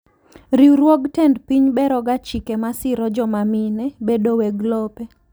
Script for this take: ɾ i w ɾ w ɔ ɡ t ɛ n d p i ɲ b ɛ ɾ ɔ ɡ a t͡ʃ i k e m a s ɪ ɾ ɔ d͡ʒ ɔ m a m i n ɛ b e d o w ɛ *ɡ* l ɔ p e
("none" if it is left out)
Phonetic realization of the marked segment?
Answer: ɡ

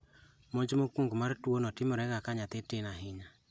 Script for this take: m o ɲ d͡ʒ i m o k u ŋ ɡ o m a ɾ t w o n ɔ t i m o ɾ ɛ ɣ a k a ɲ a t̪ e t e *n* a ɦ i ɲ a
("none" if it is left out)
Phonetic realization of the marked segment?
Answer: n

